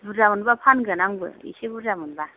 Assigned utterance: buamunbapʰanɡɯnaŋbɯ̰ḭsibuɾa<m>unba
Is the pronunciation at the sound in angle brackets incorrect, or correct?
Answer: correct